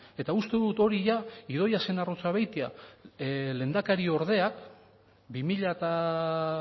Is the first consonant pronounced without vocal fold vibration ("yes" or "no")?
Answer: yes